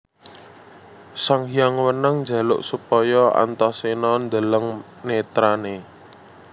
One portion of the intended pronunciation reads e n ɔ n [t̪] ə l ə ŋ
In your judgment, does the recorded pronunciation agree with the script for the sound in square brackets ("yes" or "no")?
no